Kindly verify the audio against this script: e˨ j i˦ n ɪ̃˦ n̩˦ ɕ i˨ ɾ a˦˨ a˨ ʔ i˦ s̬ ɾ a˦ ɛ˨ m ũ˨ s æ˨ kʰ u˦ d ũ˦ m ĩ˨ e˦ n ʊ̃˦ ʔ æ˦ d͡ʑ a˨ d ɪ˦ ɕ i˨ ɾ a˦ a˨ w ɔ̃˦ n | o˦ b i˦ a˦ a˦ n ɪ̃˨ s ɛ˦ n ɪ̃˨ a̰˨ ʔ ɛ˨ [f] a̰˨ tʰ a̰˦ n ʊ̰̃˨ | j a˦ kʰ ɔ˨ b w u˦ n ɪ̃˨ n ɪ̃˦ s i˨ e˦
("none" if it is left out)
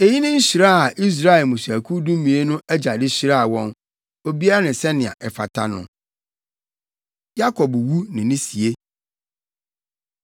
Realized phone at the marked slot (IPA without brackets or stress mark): f